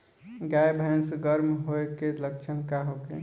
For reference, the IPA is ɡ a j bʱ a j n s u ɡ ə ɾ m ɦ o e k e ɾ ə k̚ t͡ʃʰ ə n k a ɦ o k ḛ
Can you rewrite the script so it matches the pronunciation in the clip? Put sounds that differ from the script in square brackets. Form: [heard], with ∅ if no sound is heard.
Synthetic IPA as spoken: ɡ a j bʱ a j n s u ɡ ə ɾ m ɦ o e k e [l] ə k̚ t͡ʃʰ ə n k a ɦ o k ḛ

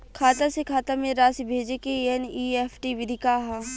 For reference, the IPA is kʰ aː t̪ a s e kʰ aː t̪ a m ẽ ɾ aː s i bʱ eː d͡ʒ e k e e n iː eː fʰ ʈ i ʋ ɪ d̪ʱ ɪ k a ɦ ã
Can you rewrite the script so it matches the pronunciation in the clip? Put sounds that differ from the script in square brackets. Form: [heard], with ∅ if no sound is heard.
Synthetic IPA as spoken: kʰ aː t̪ a s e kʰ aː t̪ a m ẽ ɾ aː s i bʱ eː d͡ʒ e k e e n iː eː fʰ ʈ i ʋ ɪ d̪ʱ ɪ k a ɦ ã

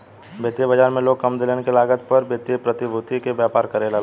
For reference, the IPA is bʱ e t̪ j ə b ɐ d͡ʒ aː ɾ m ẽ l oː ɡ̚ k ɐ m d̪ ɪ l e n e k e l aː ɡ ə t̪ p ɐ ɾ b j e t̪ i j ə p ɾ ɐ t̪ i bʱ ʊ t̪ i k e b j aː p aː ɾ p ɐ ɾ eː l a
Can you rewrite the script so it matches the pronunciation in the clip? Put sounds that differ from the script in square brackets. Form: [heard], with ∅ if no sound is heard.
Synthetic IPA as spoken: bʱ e t̪ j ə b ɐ d͡ʒ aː ɾ m ẽ l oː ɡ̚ k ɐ m d̪ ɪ l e n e k e l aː ɡ ə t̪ p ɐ ɾ b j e t̪ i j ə p ɾ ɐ t̪ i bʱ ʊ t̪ i k e b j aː p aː ɾ [k] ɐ ɾ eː l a

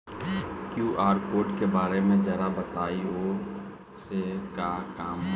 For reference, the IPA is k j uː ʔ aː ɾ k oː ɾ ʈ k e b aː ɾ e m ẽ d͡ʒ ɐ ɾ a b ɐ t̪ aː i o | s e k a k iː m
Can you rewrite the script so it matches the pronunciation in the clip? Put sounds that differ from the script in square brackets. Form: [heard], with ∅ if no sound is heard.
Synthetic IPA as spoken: k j uː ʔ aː ɾ k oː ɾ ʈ k e b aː ɾ e m ẽ d͡ʒ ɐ ɾ a b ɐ t̪ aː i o | s e k a k [aː] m

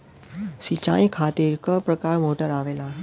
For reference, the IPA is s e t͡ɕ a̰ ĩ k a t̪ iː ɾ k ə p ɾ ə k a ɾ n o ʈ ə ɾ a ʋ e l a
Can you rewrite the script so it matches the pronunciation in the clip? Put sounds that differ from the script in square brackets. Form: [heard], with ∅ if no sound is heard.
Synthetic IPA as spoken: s [i] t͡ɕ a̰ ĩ [kʰ] a t̪ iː ɾ k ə p ɾ ə k a ɾ [m] o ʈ ə ɾ a ʋ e l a

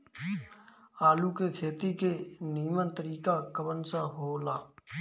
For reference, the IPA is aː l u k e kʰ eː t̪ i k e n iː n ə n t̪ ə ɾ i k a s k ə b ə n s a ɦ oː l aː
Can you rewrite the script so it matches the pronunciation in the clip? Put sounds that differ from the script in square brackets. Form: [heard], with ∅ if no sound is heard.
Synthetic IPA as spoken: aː l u k e kʰ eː t̪ i k e n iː [m] ə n t̪ ə ɾ [iː] k a [∅] k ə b ə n s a ɦ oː l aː

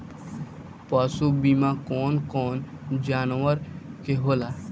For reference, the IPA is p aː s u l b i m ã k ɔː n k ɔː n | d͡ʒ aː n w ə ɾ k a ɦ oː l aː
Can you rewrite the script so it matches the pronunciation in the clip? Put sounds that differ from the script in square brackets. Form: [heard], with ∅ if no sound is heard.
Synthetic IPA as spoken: p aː s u [∅] b i m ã k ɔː n k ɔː n | d͡ʒ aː n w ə ɾ k [e] ɦ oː l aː

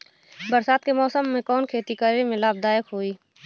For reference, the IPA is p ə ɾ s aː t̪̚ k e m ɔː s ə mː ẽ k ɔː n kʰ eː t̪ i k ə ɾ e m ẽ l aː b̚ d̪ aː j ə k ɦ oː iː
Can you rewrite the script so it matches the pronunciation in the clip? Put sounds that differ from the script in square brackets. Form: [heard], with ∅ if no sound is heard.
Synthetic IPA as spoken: [b] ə ɾ s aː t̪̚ k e m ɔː s ə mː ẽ k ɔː n kʰ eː t̪ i k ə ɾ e m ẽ l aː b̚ d̪ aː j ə k ɦ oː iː

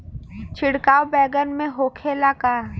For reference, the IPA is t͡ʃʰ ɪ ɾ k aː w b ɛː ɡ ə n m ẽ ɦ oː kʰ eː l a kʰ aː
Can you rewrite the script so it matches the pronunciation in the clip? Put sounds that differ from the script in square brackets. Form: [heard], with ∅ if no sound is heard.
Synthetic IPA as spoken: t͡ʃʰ ɪ [ɽ] k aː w b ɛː ɡ ə n m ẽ ɦ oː kʰ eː l a [k] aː

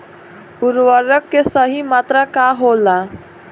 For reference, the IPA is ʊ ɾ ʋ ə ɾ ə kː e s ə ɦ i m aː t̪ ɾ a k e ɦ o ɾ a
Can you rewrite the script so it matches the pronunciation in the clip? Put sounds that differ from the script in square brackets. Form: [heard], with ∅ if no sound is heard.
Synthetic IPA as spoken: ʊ ɾ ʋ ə ɾ ə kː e s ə ɦ i m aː t̪ ɾ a k [a] ɦ o [l] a

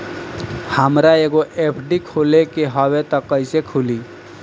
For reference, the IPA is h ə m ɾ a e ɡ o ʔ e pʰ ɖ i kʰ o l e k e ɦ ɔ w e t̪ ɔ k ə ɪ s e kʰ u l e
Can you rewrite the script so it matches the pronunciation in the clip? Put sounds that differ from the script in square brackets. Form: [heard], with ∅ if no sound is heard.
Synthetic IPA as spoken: h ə m ɾ a e ɡ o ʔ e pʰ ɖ i kʰ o l e k e ɦ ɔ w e t̪ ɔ k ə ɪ s e kʰ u l [i]

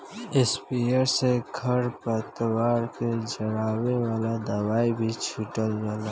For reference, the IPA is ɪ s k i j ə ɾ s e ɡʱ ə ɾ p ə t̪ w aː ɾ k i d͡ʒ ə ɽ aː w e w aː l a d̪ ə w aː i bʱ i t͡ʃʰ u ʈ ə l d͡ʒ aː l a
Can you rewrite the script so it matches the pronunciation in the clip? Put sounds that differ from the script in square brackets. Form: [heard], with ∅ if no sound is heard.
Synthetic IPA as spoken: ɪ s [p] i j ə ɾ s e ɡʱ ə ɾ p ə t̪ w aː ɾ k [e] d͡ʒ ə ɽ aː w e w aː l a d̪ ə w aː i bʱ i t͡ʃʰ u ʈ ə l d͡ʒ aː l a

